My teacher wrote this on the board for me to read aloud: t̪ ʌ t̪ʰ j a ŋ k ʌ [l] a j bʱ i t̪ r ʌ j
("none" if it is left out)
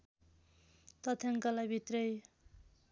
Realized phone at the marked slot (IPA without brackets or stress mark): l